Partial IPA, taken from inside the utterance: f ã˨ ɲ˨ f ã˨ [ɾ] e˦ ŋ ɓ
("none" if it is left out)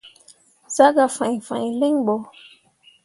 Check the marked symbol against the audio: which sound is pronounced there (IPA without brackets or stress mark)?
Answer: l